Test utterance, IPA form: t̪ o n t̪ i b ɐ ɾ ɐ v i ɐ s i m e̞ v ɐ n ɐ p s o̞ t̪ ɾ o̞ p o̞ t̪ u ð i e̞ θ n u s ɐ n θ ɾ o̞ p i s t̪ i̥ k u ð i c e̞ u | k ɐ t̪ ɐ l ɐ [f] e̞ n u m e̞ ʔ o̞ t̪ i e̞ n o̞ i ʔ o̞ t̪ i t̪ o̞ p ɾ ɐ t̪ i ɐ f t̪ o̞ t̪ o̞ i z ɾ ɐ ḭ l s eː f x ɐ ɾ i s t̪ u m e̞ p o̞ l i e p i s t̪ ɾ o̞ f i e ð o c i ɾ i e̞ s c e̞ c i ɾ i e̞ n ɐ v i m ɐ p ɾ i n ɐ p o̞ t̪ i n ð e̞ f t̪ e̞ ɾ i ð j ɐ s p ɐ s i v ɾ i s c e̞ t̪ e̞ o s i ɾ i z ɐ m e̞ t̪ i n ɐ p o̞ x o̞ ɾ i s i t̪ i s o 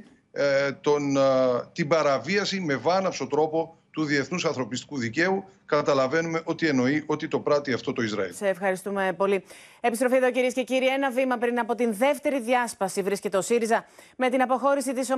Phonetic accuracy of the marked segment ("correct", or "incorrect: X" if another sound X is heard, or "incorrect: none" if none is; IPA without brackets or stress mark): incorrect: v